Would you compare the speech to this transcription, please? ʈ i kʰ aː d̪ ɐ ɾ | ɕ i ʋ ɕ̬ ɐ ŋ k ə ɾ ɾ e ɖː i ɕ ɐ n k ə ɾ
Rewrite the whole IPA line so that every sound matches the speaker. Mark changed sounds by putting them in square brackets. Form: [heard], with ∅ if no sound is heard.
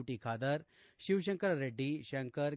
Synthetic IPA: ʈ i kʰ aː d̪ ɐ ɾ | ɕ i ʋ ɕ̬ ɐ ŋ k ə ɾ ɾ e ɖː i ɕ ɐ [ŋ] k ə ɾ